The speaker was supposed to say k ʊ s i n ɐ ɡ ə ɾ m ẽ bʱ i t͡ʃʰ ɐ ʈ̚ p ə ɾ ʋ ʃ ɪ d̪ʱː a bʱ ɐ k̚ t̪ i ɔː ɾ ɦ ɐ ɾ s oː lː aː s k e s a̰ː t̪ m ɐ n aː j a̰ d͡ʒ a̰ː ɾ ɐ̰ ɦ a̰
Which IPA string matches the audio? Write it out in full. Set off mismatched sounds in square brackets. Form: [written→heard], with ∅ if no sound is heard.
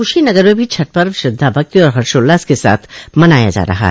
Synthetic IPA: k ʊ [s→ʃ] i n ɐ ɡ ə ɾ m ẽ bʱ i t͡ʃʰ ɐ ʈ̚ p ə ɾ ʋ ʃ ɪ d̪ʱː a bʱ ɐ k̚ t̪ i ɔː ɾ ɦ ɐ ɾ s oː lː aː s k e s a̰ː [t̪→t̪ʰ] m ɐ n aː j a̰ d͡ʒ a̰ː ɾ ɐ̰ ɦ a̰